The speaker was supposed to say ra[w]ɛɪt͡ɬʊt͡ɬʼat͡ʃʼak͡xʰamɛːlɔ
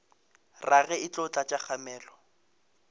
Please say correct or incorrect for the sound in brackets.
incorrect